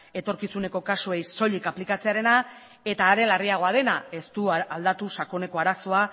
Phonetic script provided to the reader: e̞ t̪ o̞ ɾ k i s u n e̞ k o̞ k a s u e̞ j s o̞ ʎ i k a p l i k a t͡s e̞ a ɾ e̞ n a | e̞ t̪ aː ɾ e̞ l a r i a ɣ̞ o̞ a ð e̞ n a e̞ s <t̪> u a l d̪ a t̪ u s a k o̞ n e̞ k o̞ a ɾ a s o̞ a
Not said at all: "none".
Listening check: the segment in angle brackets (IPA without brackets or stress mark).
t̪